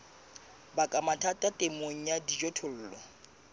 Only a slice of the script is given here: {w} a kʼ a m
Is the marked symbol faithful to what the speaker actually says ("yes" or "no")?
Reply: no